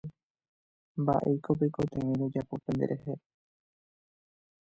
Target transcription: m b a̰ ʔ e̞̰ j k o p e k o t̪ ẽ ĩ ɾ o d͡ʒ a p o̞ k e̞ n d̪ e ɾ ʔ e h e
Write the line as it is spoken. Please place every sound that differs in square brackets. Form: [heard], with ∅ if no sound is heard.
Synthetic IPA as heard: m b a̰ ʔ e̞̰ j k o p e k o t̪ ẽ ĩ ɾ o d͡ʒ a p o̞ [p] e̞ n d̪ e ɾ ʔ e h e